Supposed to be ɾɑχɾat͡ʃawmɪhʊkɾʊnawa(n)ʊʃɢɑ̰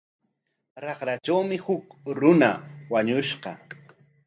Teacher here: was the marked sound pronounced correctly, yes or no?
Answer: no